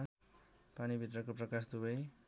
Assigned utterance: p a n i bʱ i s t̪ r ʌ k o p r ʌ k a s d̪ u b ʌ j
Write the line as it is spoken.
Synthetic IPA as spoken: p a n i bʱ i t̪ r ʌ k o p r ʌ k a s d̪ u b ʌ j